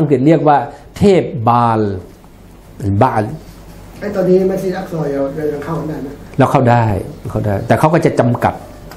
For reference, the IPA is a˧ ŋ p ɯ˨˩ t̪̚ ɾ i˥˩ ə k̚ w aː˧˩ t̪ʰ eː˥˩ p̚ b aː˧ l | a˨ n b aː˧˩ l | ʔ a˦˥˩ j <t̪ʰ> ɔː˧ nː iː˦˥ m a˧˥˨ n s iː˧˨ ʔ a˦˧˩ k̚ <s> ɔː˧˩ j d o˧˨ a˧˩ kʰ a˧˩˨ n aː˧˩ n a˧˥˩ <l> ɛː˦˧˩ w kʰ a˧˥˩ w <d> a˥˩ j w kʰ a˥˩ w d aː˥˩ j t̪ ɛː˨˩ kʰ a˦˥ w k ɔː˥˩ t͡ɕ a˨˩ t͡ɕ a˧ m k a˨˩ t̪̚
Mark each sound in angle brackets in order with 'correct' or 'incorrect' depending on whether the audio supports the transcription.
incorrect, correct, correct, correct

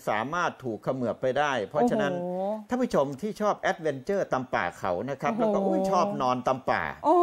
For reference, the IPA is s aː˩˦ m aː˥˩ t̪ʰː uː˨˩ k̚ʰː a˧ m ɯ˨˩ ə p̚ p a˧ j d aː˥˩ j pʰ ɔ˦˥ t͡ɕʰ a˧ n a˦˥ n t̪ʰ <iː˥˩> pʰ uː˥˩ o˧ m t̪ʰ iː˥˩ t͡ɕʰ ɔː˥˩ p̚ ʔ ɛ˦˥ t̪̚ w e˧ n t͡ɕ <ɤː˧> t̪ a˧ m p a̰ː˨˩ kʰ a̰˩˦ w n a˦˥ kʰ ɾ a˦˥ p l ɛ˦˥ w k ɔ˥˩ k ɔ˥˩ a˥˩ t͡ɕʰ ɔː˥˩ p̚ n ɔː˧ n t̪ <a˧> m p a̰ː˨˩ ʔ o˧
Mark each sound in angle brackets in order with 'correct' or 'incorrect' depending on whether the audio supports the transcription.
incorrect, incorrect, correct

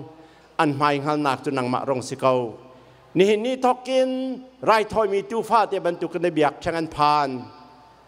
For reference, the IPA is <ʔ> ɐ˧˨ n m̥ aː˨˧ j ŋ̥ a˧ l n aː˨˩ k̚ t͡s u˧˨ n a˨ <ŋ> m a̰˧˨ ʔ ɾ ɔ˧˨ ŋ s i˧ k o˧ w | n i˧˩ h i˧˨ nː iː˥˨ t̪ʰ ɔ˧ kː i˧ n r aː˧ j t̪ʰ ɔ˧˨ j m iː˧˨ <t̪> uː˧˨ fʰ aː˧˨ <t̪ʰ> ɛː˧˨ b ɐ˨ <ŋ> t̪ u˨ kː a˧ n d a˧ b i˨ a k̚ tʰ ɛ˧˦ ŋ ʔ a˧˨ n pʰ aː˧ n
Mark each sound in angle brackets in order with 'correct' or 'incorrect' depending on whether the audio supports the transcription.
correct, correct, correct, incorrect, incorrect

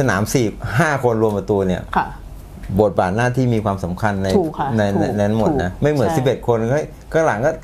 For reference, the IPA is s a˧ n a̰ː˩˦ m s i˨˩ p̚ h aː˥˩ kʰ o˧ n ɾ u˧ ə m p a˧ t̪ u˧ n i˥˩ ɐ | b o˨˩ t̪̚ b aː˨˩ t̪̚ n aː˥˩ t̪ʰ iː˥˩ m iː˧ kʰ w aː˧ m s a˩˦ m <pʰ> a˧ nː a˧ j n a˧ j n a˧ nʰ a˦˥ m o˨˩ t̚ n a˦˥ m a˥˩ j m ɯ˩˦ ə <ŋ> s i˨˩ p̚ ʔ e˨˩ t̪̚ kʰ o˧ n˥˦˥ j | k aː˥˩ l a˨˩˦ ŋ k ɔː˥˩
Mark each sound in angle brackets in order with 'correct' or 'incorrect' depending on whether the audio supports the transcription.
incorrect, incorrect

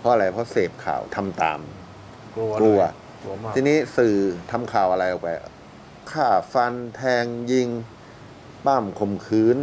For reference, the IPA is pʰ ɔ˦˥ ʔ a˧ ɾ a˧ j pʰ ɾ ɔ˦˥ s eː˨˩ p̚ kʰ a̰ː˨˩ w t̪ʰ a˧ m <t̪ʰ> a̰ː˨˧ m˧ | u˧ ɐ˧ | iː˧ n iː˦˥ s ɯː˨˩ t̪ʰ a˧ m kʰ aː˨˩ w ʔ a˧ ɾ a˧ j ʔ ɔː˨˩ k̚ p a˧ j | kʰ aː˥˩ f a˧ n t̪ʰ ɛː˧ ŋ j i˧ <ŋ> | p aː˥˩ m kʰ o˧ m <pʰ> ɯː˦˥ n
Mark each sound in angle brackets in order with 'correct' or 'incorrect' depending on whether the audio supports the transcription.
incorrect, correct, incorrect

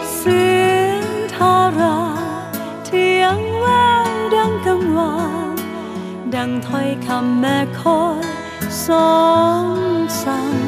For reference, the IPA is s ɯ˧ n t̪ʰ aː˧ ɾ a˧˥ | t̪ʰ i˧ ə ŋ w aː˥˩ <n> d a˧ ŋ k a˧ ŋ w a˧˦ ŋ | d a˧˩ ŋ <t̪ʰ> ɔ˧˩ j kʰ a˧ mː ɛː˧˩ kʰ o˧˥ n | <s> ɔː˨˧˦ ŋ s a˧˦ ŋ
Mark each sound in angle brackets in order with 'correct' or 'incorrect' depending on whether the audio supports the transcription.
incorrect, correct, correct

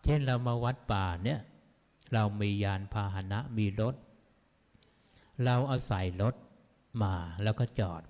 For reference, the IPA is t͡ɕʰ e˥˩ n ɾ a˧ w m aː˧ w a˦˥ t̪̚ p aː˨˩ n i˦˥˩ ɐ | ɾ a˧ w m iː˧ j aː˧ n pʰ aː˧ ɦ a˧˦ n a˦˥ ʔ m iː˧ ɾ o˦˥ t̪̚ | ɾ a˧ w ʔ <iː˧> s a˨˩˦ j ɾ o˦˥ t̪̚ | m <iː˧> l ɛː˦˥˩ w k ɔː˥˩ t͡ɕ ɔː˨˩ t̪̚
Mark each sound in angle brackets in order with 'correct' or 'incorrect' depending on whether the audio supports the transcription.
incorrect, incorrect

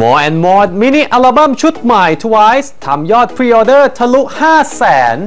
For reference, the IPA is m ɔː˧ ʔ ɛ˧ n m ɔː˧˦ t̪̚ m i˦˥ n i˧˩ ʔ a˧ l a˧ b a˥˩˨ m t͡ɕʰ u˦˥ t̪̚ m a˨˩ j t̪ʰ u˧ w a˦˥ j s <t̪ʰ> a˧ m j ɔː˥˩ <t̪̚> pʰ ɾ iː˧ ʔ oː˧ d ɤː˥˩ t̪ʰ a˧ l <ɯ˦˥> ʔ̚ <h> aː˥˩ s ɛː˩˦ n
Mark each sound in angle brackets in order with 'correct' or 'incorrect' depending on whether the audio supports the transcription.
correct, correct, incorrect, correct

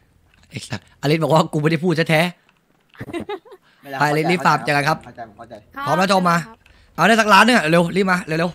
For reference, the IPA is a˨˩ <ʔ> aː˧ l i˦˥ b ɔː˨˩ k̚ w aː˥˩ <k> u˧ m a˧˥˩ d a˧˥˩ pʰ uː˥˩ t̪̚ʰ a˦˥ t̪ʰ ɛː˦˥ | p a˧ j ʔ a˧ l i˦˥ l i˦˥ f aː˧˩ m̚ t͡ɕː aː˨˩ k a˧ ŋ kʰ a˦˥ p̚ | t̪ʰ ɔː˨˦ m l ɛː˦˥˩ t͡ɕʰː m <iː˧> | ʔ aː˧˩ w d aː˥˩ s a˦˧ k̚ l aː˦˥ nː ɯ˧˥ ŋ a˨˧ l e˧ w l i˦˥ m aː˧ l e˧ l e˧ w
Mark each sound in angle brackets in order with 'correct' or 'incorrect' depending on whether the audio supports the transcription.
correct, correct, incorrect

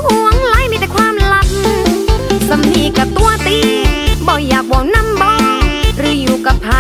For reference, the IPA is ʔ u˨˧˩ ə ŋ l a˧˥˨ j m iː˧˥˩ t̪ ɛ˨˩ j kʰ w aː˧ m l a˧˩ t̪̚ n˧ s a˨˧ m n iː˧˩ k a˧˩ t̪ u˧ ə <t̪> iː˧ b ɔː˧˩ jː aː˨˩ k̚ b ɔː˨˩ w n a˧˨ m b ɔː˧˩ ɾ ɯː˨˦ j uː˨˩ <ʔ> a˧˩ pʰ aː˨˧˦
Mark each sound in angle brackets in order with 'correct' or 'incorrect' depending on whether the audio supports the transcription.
correct, incorrect

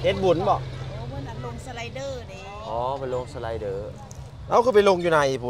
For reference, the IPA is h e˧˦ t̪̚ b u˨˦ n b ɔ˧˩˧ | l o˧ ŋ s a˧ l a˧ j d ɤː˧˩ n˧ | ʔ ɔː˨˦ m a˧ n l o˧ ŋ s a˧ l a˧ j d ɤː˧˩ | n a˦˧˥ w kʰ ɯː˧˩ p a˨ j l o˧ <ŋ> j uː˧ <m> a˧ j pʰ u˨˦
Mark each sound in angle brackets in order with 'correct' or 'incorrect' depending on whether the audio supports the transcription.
correct, incorrect

